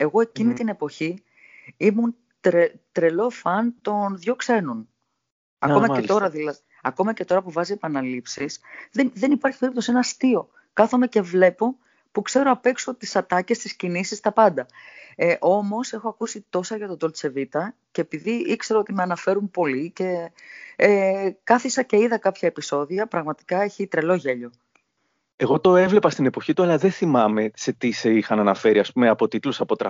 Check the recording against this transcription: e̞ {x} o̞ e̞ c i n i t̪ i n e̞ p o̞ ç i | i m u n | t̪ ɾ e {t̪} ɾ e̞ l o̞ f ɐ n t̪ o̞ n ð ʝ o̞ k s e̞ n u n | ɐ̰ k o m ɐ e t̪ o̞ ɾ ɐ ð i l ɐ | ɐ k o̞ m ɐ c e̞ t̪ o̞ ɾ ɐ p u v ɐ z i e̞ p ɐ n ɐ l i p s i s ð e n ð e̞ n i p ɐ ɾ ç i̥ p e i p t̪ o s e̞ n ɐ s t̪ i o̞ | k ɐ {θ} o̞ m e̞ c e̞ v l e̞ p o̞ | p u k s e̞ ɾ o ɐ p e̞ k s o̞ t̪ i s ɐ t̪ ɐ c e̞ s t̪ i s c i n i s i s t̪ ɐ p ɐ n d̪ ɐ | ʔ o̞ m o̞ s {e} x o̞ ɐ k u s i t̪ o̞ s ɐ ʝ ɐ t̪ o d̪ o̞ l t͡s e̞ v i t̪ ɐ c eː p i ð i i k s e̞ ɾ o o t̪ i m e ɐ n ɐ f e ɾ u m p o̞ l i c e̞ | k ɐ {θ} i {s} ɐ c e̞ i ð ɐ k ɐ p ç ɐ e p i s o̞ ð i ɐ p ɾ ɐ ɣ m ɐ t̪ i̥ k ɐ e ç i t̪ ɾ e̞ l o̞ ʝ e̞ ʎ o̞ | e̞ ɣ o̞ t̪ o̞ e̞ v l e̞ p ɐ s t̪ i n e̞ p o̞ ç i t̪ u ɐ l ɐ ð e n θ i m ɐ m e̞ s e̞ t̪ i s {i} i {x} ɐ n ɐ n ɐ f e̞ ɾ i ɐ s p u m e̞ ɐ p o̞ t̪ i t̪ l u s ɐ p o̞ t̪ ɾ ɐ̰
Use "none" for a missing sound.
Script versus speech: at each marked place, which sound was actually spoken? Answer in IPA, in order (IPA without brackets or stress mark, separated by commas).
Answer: ɣ, t̪, θ, e, θ, s, e, x